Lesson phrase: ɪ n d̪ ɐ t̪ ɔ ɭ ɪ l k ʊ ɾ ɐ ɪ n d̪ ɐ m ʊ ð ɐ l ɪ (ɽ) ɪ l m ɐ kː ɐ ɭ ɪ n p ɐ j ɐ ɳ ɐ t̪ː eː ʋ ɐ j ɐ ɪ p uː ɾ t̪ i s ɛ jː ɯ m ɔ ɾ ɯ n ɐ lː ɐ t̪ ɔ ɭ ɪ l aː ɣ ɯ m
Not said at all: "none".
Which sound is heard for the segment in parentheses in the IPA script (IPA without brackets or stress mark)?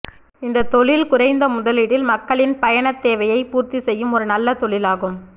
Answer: ɽ